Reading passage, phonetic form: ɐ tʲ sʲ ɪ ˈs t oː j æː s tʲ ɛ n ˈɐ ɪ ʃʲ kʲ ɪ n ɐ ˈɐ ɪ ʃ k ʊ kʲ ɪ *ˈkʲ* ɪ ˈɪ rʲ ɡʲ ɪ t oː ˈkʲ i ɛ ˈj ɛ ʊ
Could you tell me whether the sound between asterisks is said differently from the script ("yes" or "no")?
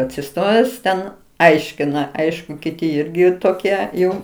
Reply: yes